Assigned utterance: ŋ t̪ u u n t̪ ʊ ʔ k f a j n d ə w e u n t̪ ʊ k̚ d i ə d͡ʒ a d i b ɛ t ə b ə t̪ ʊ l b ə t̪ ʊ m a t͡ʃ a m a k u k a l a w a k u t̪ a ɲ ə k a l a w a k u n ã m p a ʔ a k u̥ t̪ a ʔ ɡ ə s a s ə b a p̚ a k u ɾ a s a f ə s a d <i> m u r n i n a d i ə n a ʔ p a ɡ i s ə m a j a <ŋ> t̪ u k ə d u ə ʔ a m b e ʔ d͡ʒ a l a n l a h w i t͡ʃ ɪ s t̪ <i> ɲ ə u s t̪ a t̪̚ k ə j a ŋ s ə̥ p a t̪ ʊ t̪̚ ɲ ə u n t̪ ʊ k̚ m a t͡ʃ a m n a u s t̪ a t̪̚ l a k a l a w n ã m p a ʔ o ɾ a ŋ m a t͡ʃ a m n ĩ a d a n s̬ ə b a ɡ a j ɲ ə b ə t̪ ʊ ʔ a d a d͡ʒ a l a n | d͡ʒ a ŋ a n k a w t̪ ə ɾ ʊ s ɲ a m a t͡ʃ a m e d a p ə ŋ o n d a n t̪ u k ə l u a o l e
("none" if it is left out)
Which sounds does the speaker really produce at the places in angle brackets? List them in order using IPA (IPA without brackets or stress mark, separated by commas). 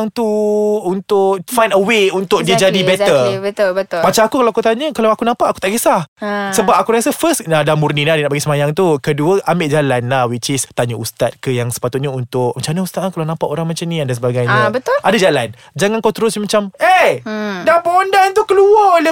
a, ŋ, a